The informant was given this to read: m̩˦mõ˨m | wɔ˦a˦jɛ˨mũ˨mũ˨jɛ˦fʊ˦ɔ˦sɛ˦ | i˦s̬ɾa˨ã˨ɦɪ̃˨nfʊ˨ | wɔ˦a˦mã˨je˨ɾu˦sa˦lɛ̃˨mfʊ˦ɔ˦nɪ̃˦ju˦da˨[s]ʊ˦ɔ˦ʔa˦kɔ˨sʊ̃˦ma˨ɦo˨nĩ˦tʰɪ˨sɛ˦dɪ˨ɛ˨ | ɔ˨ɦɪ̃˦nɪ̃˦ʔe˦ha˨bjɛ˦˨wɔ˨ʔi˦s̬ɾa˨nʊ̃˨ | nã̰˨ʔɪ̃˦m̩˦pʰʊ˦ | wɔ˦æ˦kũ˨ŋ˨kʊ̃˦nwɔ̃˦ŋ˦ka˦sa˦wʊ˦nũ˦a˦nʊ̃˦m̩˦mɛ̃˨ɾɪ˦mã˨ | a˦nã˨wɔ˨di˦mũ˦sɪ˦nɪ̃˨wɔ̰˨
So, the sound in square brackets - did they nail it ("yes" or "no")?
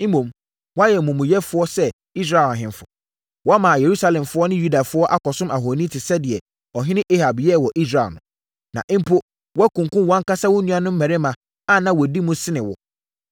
no